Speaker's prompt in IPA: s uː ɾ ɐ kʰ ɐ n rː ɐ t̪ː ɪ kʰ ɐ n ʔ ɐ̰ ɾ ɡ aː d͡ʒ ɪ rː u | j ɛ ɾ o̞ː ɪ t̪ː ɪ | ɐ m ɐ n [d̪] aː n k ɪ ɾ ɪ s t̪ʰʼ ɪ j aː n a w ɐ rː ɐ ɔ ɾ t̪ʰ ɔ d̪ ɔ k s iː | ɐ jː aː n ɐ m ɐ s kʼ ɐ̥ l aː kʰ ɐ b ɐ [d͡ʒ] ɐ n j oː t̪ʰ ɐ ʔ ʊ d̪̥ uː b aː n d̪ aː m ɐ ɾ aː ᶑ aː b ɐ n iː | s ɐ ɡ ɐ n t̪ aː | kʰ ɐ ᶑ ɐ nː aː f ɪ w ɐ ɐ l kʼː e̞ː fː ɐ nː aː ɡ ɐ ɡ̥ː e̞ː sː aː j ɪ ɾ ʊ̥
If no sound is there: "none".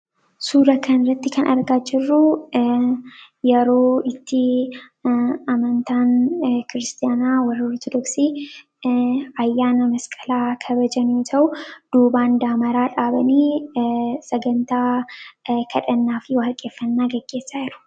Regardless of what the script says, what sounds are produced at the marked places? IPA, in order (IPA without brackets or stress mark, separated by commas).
t̪, d͡ʒ